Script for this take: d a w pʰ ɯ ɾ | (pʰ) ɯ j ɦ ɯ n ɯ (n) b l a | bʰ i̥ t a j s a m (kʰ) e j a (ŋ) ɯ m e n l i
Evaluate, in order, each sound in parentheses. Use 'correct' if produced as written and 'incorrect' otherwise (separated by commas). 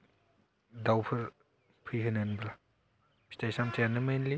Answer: correct, correct, incorrect, incorrect